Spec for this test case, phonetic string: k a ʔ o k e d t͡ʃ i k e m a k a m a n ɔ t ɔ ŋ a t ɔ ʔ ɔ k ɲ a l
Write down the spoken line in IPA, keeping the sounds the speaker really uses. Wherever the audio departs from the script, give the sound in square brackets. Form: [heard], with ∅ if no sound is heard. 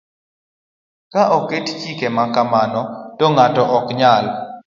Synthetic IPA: k a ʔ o k e [t] t͡ʃ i k e m a k a m a n ɔ t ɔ ŋ a t ɔ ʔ ɔ k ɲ a l